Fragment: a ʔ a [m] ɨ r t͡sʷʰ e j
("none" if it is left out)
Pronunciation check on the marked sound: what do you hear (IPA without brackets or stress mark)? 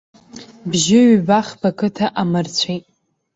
m